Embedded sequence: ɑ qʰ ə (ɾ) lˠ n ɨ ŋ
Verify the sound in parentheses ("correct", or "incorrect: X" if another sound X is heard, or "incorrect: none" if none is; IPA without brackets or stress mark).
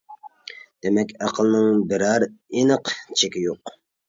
incorrect: none